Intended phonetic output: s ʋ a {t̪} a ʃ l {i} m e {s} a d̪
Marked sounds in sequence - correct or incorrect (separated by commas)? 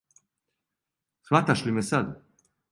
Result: correct, correct, correct